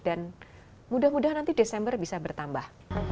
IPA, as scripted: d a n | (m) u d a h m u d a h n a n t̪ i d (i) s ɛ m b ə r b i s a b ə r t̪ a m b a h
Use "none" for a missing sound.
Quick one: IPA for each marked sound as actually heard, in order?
m, e

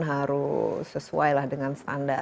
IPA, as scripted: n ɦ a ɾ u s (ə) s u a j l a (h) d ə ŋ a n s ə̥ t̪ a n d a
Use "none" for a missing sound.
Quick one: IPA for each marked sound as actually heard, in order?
ə, h

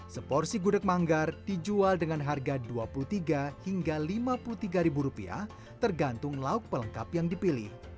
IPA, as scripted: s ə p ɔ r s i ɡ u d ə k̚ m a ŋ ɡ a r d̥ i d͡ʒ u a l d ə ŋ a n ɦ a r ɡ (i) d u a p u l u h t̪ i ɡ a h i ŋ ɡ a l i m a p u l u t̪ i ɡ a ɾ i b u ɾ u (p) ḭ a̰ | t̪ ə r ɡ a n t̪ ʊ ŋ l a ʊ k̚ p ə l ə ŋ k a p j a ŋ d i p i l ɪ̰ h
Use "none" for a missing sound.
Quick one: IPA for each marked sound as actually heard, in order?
a, p

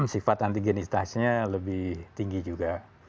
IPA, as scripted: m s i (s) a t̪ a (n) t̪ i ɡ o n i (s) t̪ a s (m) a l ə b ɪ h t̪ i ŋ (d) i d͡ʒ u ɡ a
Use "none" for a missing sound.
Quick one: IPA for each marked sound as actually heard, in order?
f, n, s, ɲ, ɡ

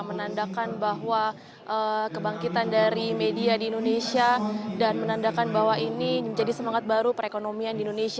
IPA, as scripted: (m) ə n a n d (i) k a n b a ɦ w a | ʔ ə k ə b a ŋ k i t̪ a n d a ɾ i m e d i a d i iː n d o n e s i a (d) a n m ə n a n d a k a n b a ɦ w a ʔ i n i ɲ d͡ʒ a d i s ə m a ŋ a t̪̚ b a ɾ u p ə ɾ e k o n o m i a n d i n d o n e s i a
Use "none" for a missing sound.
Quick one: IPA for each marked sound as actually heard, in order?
m, a, d

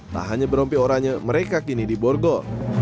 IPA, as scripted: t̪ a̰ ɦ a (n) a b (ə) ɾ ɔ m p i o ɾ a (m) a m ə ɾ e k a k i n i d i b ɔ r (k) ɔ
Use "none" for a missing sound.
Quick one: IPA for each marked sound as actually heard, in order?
ɲ, ə, ɲ, ɡ

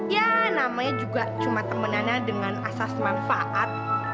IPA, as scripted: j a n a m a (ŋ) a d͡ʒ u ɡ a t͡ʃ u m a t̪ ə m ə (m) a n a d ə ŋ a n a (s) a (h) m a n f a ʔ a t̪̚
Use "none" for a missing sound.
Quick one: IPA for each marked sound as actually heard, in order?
ɲ, n, s, s

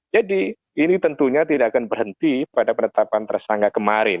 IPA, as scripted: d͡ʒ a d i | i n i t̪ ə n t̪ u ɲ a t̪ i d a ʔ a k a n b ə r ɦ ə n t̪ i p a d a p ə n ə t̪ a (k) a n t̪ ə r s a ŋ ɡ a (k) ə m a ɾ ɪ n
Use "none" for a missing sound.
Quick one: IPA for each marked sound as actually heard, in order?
p, k

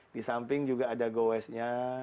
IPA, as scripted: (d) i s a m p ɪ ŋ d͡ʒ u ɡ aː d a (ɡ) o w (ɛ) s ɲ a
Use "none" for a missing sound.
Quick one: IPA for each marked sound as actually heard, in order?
d, ɡ, ɛ

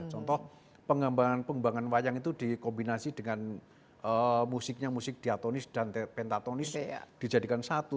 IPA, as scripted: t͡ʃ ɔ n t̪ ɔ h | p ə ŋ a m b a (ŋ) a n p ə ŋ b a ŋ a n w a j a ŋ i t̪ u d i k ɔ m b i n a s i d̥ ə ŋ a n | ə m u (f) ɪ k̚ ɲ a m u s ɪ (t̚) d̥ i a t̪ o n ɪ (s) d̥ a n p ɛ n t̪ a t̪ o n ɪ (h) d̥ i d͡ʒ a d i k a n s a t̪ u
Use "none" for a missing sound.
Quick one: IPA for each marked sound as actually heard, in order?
ŋ, s, k̚, s, s

